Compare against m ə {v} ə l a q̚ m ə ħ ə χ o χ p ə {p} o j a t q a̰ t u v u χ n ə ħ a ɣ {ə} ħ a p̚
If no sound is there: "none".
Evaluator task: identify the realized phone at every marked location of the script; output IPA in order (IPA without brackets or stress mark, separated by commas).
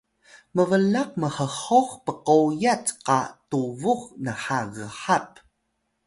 v, q, ə